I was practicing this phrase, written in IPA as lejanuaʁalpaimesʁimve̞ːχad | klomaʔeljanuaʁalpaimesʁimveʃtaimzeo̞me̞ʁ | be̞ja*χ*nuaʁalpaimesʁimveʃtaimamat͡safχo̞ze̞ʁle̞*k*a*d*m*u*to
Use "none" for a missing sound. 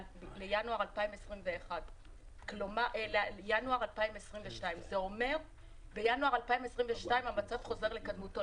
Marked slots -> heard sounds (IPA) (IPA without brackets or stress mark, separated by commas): none, k, d, u